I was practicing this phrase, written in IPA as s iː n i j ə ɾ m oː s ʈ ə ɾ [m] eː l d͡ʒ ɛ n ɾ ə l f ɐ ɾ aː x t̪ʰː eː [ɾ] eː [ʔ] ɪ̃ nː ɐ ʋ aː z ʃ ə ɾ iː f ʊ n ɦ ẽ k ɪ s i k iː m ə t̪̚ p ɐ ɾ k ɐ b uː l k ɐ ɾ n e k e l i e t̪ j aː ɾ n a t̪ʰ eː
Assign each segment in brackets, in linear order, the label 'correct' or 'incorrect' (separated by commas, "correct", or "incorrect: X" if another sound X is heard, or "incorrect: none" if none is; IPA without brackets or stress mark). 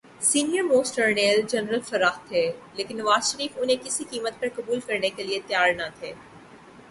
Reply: incorrect: n, incorrect: l, incorrect: k